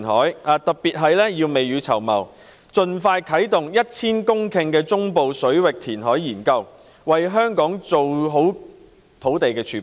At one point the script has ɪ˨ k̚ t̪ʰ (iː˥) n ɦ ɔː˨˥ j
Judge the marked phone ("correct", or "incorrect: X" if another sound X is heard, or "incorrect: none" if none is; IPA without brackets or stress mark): incorrect: iː˨˩